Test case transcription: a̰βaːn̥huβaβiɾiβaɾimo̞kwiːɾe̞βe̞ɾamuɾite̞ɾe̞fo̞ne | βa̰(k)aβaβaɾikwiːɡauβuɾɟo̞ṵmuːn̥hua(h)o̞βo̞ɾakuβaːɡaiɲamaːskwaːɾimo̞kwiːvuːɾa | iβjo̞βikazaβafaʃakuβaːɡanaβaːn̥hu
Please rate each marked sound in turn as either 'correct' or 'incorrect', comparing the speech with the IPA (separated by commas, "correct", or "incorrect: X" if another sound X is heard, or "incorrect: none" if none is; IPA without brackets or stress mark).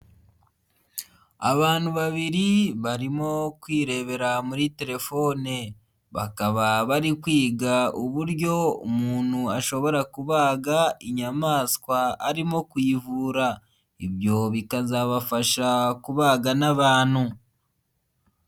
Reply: correct, incorrect: ʃ